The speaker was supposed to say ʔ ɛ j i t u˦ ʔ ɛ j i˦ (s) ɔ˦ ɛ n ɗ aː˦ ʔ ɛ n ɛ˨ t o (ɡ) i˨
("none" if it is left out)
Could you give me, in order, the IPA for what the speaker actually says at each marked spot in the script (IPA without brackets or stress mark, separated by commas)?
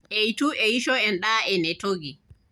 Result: ʃ, ɡ